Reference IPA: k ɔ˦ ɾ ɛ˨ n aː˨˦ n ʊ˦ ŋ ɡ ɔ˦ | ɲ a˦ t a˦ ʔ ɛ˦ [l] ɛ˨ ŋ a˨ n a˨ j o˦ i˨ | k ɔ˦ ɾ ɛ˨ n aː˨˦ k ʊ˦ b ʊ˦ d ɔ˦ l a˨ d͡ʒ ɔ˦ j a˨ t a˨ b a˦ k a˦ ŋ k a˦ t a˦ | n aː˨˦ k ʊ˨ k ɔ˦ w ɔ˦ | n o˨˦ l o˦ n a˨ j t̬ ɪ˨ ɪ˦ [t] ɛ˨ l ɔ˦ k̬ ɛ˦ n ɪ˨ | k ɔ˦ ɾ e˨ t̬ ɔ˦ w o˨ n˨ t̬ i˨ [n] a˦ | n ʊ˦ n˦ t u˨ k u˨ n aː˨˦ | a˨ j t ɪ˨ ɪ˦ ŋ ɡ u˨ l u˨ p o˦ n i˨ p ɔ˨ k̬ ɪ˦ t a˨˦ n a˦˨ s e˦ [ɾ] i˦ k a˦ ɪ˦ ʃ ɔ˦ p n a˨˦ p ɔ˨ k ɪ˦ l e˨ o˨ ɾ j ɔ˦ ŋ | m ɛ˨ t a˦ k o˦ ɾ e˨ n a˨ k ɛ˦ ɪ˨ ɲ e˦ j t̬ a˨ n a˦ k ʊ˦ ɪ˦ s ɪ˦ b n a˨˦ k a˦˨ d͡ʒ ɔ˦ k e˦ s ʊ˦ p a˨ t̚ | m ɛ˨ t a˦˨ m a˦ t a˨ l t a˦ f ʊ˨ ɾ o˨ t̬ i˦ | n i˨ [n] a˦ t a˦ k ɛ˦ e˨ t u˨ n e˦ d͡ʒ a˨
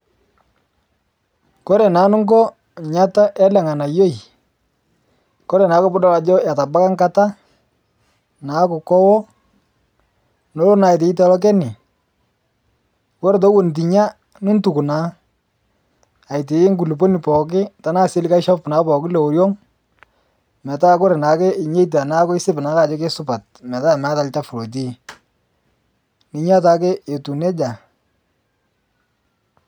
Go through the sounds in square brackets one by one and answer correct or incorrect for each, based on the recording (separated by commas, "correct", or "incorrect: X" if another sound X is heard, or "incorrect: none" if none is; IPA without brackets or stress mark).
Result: correct, correct, incorrect: ɲ, incorrect: l, incorrect: ɲ